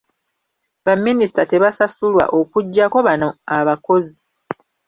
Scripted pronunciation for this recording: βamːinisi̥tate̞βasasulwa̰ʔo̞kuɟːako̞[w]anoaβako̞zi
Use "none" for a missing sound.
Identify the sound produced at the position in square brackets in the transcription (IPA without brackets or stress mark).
β